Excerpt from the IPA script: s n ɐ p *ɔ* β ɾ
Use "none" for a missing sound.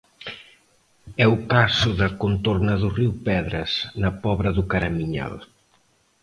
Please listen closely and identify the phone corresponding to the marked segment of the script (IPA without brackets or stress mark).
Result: ɔ